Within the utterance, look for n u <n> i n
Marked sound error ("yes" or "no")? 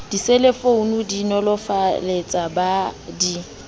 yes